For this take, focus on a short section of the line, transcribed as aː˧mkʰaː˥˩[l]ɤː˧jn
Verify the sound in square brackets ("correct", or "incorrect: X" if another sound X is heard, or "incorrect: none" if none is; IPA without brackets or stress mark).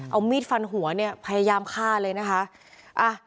correct